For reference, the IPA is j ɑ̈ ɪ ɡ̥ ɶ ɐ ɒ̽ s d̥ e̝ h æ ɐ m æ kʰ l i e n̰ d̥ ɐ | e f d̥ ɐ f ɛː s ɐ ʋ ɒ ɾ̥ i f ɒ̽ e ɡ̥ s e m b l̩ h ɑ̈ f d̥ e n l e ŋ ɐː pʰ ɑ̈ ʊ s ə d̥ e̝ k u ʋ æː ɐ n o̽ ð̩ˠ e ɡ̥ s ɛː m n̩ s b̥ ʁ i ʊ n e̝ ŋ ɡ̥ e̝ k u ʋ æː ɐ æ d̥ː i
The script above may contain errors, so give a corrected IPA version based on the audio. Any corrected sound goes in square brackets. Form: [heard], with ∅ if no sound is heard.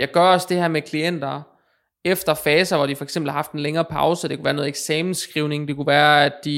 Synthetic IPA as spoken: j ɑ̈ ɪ ɡ̥ ɶ ɐ ɒ̽ s d̥ e̝ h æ ɐ m [e] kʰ l i e n̰ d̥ ɐ | e f d̥ ɐ f ɛː s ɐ ʋ ɒ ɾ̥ i f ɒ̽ e ɡ̥ s e m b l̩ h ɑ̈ f d̥ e n l e ŋ ɐː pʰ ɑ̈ ʊ s ə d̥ e̝ k u ʋ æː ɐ n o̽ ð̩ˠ e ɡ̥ s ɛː m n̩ s [ɡ̥] ʁ i ʊ n e̝ ŋ [d̥] e̝ k u ʋ æː ɐ æ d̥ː i